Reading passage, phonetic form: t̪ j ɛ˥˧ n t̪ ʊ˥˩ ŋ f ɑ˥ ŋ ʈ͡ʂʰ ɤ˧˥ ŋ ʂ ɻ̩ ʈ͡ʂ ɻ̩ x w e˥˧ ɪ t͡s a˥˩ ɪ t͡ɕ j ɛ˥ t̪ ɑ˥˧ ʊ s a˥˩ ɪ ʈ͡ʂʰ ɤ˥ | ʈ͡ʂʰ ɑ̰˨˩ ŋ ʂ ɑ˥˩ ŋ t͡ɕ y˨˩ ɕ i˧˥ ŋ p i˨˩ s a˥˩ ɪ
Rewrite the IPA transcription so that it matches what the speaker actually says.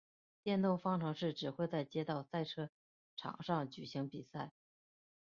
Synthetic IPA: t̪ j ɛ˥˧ n t̪ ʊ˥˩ ŋ f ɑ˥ ŋ ʈ͡ʂʰ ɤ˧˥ ŋ ʂ ɻ̩ ʈ͡ʂ ɻ̩ x w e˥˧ ɪ t͡s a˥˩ ɪ t͡ɕ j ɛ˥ t̪ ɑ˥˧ ʊ s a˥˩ ɪ ʈ͡ʂʰ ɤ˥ | ʈ͡ʂʰ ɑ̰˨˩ ŋ ʂ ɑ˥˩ ŋ t͡ɕ y˨˩ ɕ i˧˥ ŋ p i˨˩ s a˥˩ ɪ